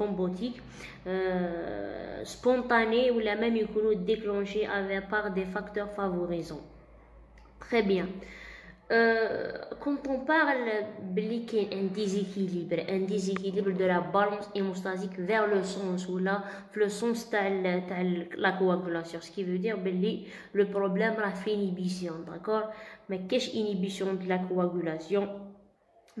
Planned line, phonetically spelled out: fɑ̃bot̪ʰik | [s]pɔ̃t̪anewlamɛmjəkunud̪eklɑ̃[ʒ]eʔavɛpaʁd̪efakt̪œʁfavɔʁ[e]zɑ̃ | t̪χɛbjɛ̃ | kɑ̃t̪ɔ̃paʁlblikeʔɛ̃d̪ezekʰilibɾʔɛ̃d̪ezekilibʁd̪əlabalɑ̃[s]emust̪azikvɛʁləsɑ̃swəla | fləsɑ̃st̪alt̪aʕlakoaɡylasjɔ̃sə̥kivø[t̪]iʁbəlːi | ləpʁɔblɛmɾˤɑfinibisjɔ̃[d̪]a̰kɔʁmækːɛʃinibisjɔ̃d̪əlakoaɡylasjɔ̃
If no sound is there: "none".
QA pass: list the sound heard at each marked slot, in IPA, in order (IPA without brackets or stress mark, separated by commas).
s, ʃ, i, s, d̪, d̪